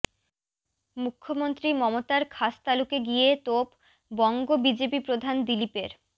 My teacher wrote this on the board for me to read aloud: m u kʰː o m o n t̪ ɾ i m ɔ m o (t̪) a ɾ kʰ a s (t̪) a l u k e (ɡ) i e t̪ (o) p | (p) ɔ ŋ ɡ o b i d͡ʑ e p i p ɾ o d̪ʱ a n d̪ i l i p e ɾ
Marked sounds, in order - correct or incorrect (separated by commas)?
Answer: correct, correct, correct, correct, incorrect